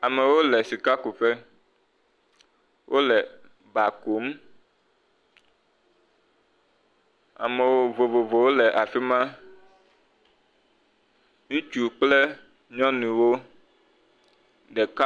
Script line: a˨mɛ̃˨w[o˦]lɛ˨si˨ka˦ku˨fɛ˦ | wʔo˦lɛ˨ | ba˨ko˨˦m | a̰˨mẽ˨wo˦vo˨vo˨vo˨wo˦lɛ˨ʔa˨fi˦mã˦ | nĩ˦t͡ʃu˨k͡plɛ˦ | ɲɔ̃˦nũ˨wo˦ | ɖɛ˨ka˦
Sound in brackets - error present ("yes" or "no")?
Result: no